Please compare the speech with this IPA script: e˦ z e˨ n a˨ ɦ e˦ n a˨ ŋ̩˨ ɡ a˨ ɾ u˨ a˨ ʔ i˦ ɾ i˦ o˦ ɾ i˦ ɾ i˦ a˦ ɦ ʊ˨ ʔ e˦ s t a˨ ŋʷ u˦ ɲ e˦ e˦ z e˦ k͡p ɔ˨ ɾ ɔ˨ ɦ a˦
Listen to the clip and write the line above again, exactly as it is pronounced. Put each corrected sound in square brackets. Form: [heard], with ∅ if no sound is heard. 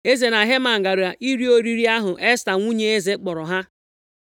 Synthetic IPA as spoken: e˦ z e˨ n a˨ ɦ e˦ [m] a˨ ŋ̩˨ ɡ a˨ ɾ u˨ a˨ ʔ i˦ ɾ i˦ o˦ ɾ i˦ ɾ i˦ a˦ ɦ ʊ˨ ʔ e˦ s t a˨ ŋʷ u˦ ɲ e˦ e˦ z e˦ k͡p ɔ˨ ɾ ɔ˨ ɦ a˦